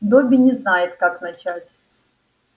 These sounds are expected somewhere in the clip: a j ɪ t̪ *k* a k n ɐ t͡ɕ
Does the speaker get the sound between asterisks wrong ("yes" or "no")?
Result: no